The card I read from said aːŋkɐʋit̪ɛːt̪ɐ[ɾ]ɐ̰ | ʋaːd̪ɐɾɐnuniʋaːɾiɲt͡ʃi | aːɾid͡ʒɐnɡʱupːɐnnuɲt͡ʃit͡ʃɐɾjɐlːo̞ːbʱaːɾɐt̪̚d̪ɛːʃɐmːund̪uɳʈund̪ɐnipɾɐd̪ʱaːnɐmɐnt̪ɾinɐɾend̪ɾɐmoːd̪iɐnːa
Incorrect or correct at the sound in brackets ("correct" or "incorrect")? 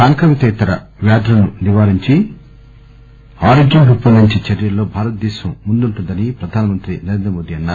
correct